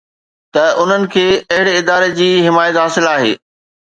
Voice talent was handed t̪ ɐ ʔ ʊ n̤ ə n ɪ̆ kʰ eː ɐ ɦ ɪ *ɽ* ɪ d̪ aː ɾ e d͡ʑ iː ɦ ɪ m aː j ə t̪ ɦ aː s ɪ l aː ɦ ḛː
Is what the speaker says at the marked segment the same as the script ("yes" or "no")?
yes